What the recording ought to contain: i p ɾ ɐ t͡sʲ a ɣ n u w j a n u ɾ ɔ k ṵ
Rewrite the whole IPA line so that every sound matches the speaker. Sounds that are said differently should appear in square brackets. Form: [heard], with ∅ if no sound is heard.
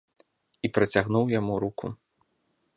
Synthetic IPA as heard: i p ɾ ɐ t͡sʲ a ɣ n u w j a [m] u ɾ [u] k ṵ